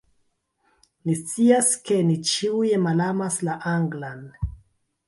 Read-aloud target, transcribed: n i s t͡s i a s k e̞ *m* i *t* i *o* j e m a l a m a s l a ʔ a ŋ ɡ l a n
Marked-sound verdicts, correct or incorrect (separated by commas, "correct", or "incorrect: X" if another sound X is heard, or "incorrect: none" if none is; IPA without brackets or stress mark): incorrect: n, incorrect: t͡ʃ, incorrect: u